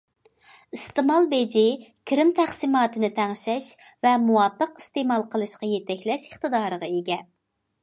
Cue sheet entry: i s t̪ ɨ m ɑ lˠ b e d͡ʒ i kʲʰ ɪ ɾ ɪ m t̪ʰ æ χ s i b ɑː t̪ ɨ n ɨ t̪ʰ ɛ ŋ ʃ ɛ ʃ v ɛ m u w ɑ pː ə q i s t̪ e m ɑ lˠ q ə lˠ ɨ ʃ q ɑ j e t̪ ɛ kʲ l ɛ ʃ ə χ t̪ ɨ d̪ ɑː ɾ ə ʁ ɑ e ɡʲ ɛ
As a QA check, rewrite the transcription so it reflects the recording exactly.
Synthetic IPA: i s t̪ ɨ m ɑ lˠ b e d͡ʒ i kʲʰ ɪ ɾ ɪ m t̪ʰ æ χ s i m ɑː t̪ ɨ n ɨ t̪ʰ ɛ ŋ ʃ ɛ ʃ v ɛ m u w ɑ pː ə q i s t̪ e m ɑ lˠ q ə lˠ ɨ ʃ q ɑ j e t̪ ɛ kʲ l ɛ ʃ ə χ t̪ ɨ d̪ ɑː ɾ ə ʁ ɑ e ɡʲ ɛ